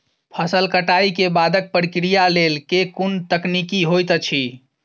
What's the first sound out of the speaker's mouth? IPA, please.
pʰ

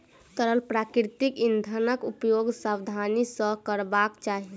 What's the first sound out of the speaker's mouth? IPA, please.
t̪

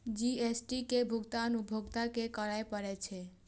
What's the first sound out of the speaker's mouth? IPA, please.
d͡ʒ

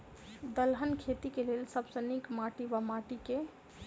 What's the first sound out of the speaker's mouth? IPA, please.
d̪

